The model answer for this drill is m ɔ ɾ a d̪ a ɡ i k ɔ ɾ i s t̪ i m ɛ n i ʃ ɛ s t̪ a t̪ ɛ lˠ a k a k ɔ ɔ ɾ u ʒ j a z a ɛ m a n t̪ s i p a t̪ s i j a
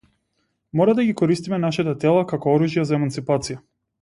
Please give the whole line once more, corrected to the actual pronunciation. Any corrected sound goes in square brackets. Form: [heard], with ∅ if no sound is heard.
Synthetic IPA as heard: m ɔ ɾ a d̪ a ɡ i k ɔ ɾ i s t̪ i m ɛ n [a] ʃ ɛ [∅] t̪ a t̪ ɛ lˠ a k a k ɔ ɔ ɾ u ʒ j a z a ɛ m a n t̪ s i p a t̪ s i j a